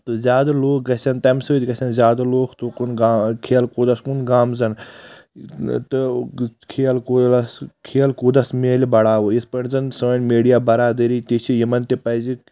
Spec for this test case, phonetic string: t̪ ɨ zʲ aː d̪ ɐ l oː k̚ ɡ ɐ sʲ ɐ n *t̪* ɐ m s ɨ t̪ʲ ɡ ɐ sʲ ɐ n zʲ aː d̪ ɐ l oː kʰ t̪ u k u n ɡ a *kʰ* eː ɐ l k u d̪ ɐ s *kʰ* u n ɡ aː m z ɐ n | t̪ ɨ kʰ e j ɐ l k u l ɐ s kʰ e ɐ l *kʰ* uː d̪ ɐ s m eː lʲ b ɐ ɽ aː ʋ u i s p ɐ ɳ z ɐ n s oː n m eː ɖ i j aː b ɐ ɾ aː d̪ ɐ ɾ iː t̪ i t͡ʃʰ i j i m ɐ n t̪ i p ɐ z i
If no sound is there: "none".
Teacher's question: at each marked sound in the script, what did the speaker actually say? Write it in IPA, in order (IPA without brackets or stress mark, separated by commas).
t̪, kʰ, k, k